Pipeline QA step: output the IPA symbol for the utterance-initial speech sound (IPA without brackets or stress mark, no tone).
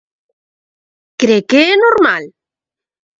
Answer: k